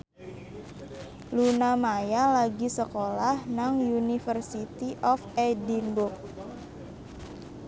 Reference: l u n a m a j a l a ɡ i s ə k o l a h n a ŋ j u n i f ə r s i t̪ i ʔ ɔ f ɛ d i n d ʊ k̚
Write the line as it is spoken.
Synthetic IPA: l u n a m a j a l a ɡ i s ə k o l a h n a ŋ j u n i f ə r s i t̪ i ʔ ɔ f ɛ d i n b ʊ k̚